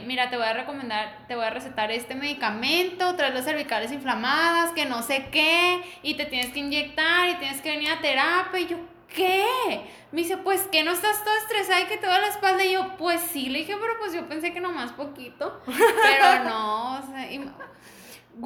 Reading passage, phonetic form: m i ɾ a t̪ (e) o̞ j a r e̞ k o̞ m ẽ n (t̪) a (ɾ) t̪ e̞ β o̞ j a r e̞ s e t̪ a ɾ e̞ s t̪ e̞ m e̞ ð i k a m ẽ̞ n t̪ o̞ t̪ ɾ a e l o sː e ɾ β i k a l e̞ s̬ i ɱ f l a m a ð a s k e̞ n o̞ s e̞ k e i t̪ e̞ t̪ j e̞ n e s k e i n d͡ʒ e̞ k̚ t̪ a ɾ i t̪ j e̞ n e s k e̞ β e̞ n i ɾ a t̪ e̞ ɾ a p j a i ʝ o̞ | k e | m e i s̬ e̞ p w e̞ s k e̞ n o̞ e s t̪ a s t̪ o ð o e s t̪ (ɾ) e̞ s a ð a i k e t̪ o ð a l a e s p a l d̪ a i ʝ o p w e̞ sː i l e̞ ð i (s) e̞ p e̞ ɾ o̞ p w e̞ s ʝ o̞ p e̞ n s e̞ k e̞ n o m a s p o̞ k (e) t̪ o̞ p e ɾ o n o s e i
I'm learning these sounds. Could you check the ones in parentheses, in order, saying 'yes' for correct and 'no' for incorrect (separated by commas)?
yes, no, yes, yes, no, no